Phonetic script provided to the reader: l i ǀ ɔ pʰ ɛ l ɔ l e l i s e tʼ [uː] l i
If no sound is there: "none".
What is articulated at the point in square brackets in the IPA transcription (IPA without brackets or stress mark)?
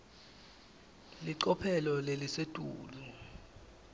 uː